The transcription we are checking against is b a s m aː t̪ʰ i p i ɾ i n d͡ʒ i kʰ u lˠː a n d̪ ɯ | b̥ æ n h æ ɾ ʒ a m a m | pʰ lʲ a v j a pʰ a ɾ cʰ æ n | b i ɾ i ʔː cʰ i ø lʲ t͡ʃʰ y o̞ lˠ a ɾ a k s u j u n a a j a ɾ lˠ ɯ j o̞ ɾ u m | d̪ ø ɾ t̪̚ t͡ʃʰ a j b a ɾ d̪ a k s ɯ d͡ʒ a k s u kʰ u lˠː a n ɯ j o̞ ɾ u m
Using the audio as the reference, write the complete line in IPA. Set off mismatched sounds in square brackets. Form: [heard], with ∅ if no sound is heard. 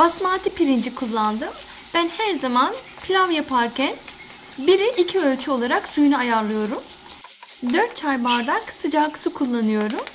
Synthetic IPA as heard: b a s m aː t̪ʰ i p i ɾ i n d͡ʒ i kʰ u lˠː a n d̪ ɯ | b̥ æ n h æ ɾ [z] a m a [n] | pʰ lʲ a v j a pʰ a ɾ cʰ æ n | b i ɾ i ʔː cʰ i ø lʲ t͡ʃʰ y o̞ lˠ a ɾ a k s u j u n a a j a ɾ lˠ ɯ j o̞ ɾ u m | d̪ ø ɾ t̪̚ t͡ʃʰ a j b a ɾ d̪ a k s ɯ d͡ʒ a k s u kʰ u lˠː a n ɯ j o̞ ɾ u m